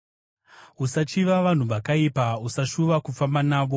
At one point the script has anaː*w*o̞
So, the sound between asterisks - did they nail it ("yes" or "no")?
no